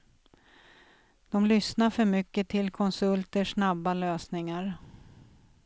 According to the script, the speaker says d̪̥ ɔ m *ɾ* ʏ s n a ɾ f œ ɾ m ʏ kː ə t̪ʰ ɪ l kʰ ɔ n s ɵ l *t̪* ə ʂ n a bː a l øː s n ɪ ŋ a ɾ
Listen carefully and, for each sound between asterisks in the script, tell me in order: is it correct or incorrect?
incorrect: l, correct

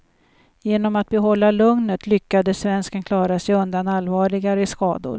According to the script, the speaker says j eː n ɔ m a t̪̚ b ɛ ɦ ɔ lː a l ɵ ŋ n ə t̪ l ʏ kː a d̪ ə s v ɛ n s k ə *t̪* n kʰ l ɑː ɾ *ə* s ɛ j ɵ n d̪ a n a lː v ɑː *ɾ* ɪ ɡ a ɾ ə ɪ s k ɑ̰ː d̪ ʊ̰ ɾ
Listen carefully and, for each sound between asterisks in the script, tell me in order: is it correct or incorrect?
incorrect: none, incorrect: a, incorrect: ɭ

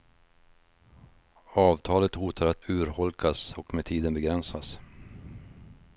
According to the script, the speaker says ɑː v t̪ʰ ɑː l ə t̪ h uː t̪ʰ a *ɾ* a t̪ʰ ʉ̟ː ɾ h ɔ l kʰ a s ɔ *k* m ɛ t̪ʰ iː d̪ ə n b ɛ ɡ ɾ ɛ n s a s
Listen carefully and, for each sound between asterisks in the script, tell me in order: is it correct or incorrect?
correct, correct

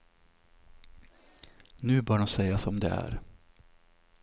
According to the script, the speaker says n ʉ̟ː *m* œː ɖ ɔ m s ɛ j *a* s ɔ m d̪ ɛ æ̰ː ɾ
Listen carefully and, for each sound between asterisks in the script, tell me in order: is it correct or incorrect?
incorrect: b, correct

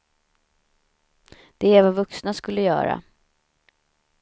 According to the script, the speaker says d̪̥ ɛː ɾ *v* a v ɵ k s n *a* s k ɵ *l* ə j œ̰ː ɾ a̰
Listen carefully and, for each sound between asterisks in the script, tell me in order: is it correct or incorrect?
correct, correct, incorrect: lː

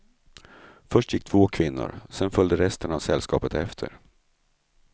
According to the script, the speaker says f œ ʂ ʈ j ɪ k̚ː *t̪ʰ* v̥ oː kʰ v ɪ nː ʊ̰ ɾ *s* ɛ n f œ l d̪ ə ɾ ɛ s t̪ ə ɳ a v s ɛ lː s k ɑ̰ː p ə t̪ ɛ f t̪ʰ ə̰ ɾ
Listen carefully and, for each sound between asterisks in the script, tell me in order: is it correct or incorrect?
correct, correct

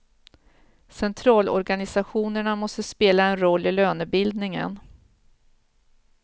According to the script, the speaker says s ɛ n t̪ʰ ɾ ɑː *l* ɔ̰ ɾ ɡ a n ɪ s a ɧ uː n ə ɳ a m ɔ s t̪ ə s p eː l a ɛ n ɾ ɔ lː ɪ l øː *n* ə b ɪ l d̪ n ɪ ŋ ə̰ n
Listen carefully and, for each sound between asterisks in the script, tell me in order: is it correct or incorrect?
correct, correct

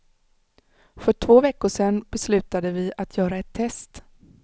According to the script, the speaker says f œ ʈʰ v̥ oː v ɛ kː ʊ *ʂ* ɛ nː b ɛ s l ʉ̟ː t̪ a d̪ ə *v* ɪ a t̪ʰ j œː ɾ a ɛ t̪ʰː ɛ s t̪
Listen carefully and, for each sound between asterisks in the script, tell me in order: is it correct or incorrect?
correct, correct

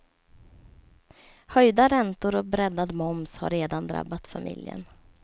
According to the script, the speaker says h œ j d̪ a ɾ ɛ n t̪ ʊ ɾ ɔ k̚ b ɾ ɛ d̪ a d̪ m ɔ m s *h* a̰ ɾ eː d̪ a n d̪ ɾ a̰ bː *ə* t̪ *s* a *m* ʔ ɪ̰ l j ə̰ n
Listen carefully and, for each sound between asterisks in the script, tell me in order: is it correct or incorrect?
correct, incorrect: a, incorrect: f, correct

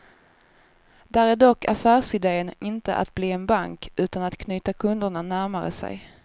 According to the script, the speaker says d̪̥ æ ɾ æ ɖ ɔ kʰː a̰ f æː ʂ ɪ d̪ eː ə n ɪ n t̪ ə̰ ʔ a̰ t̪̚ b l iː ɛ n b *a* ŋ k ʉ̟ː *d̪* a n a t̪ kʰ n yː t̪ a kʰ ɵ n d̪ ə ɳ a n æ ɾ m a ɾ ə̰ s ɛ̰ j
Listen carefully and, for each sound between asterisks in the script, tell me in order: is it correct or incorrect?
correct, incorrect: t̪

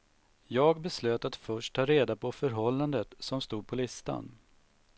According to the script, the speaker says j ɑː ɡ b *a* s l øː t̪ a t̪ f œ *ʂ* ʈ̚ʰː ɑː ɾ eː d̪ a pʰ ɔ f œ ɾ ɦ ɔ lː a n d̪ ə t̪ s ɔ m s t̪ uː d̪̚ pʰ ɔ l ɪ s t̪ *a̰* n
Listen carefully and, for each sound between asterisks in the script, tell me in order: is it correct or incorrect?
incorrect: ɛ, correct, correct

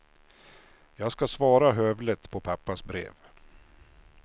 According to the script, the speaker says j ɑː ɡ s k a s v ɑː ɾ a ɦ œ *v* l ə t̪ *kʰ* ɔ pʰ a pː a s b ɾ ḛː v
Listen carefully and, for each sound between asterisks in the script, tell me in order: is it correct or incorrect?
correct, incorrect: pʰ

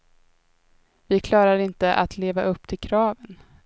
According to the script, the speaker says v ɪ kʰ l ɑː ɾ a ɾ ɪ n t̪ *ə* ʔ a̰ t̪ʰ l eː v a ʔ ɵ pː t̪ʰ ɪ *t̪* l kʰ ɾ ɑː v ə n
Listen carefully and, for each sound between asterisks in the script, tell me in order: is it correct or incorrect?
correct, incorrect: none

